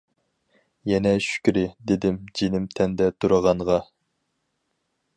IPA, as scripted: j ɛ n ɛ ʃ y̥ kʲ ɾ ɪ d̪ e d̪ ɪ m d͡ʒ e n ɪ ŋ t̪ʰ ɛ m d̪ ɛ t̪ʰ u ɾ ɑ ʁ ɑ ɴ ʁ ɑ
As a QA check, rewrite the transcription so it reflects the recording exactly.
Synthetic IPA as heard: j ɛ n ɛ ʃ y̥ kʲ ɾ ɪ d̪ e d̪ ɪ m d͡ʒ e n ɪ m t̪ʰ ɛ n d̪ ɛ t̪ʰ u ɾ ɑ ʁ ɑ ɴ ʁ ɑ